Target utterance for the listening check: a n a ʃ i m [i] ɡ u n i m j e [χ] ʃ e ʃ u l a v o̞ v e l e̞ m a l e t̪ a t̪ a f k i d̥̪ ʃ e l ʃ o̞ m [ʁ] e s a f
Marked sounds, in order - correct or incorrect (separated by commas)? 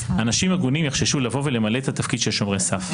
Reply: incorrect, correct, correct